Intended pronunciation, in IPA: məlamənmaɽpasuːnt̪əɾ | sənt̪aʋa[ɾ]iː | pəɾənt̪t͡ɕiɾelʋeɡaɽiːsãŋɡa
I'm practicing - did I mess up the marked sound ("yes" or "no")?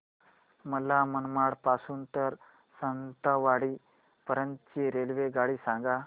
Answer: yes